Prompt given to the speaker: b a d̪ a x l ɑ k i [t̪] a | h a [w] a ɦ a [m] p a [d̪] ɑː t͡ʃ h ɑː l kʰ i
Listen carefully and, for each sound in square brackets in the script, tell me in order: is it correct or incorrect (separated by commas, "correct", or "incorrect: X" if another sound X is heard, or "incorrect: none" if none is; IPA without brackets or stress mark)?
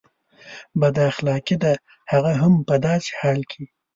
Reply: incorrect: d̪, incorrect: ɣ, correct, correct